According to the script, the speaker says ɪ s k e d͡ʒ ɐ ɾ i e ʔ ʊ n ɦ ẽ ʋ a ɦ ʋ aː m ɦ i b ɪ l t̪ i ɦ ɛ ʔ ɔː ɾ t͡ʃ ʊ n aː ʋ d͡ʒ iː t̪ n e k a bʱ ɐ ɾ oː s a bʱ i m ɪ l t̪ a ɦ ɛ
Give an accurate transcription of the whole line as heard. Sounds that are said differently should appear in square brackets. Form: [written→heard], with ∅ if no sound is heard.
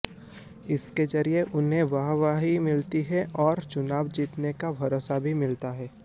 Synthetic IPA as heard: ɪ s k e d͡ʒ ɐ ɾ i e ʔ ʊ n ɦ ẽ ʋ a ɦ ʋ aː [m→∅] ɦ i [b→m] ɪ l t̪ i ɦ ɛ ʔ ɔː ɾ t͡ʃ ʊ n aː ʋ d͡ʒ iː t̪ n e k a bʱ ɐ ɾ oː s a bʱ i m ɪ l t̪ a ɦ [ɛ→ɛː]

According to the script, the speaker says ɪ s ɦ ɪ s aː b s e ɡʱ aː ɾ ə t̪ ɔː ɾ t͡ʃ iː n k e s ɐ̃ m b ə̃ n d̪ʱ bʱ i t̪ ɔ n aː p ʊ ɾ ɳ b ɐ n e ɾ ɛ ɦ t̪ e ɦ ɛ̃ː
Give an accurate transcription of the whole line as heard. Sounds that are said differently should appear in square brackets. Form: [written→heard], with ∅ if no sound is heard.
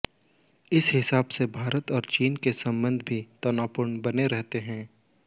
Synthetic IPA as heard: ɪ s ɦ ɪ s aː b s e [ɡʱ→bʱ] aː ɾ ə t̪ ɔː ɾ t͡ʃ iː n k e s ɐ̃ m b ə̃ n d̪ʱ bʱ i t̪ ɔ n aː p ʊ ɾ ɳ b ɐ n e ɾ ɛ ɦ t̪ e ɦ ɛ̃ː

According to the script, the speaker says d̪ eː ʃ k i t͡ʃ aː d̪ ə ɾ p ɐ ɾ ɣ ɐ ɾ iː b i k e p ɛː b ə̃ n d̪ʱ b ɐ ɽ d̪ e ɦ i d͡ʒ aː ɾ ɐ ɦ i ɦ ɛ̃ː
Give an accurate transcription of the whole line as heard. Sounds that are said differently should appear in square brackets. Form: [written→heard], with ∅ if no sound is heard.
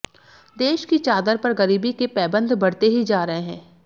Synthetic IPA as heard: d̪ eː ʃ k i t͡ʃ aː d̪ ə ɾ p ɐ ɾ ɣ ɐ ɾ iː b i k e p ɛː b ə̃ n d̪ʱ b ɐ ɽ [d̪→t̪] e ɦ i d͡ʒ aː ɾ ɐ ɦ [i→e] ɦ ɛ̃ː

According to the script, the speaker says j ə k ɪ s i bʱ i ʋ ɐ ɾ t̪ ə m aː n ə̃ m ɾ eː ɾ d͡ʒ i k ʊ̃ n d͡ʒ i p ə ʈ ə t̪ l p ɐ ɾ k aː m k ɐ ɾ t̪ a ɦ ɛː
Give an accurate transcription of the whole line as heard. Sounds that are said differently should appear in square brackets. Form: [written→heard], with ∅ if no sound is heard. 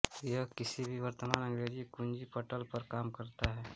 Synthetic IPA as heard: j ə k ɪ s i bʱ i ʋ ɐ ɾ t̪ ə m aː n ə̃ [m→ŋ] ɾ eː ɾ d͡ʒ i k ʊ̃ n d͡ʒ i p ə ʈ ə [t̪→∅] l p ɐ ɾ k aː m k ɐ ɾ t̪ a ɦ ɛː

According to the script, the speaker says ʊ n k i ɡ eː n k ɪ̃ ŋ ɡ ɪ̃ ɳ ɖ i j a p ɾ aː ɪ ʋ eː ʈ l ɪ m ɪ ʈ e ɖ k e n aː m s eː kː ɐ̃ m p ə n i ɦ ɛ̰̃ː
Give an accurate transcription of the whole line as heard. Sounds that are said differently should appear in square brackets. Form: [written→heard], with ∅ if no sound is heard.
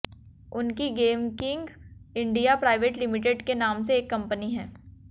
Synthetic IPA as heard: ʊ n k i ɡ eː [n→m] k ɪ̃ ŋ ɡ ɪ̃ ɳ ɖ i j a p ɾ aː ɪ ʋ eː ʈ l ɪ m ɪ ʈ e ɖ k e n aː m s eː kː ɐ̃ m p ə n i ɦ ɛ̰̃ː

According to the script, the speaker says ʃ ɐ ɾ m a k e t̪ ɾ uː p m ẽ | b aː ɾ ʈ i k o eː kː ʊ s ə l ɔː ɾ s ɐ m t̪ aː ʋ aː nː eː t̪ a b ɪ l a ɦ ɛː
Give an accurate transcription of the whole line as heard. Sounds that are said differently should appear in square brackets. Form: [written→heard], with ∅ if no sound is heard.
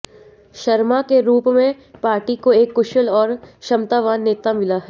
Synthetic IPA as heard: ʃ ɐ ɾ m a k e [t̪→∅] ɾ uː p m ẽ | [b→p] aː ɾ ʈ i k o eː kː ʊ [s→ʃ] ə l ɔː ɾ [s→ʃ] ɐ m t̪ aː ʋ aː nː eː t̪ a [b→m] ɪ l a ɦ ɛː

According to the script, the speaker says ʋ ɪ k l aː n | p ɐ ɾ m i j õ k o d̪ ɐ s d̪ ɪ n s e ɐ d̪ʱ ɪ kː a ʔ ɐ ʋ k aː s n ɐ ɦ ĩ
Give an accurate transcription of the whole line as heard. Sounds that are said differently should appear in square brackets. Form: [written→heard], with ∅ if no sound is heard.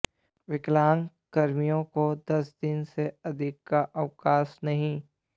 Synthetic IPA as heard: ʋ ɪ k l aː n | [p→k] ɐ ɾ m i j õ k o d̪ ɐ s d̪ ɪ n s e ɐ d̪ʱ ɪ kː a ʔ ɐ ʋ k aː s n ɐ ɦ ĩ

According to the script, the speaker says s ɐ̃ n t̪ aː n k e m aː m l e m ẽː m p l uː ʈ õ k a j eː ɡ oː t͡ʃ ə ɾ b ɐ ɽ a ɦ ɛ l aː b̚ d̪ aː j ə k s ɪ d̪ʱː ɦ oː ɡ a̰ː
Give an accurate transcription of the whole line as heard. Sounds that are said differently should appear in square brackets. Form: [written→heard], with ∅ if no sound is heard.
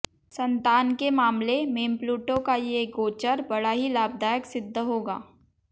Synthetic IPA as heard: s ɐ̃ n t̪ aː n k e m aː m l e m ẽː m p l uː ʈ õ k a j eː ɡ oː t͡ʃ ə ɾ b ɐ ɽ a ɦ [ɛ→i] l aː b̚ d̪ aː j ə k s ɪ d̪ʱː ɦ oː ɡ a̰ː

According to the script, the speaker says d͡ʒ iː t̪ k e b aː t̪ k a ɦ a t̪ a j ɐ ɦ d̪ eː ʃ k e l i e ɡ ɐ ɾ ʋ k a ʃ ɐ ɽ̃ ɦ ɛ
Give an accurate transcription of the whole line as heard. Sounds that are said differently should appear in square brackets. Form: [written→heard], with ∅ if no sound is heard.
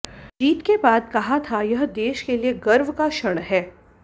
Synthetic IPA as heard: d͡ʒ iː t̪ k e b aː [t̪→d̪] k [a→ɐ] ɦ a [t̪→t̪ʰ] a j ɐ ɦ d̪ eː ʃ k e l i e ɡ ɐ ɾ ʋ k a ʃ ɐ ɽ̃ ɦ [ɛ→ɛː]

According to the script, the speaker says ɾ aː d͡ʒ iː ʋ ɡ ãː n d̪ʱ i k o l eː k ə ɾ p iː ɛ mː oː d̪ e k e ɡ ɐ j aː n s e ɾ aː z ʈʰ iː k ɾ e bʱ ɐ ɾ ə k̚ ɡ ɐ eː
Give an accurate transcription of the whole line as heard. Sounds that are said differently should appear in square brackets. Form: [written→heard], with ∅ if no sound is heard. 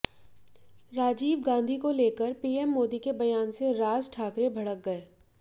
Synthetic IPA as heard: ɾ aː d͡ʒ iː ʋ ɡ ãː n d̪ʱ i k o l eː k ə ɾ p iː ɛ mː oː d̪ [e→i] k e [ɡ→b] ɐ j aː n s e ɾ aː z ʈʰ [iː→aː] k ɾ e bʱ ɐ [ɾ→ɽ] ə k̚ ɡ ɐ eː

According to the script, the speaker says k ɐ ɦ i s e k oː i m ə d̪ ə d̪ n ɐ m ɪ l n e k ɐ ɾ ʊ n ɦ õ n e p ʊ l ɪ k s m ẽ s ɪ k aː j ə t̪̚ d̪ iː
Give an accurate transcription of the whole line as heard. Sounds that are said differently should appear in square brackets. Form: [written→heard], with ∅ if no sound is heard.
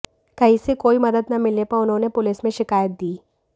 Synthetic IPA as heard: k ɐ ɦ i s e k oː i m [ə→ɐ] d̪ ə d̪ n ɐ m ɪ l n e [k→p] ɐ ɾ ʊ n ɦ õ n e p ʊ l ɪ [k→∅] s m ẽ [s→ʃ] ɪ k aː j ə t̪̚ d̪ iː

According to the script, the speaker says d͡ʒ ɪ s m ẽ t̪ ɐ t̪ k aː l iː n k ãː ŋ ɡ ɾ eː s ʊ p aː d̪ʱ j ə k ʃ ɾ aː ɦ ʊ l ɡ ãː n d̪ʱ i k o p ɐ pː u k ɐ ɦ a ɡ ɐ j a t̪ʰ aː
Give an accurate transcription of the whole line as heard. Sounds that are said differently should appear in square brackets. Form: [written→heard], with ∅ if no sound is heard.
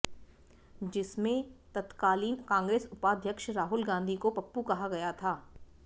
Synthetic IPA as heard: d͡ʒ ɪ s m ẽ t̪ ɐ t̪ k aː l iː n k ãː ŋ ɡ ɾ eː s ʊ p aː d̪ʱ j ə k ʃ ɾ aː ɦ ʊ l ɡ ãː n d̪ʱ i k o p ɐ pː u k ɐ ɦ a ɡ ɐ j a t̪ʰ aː

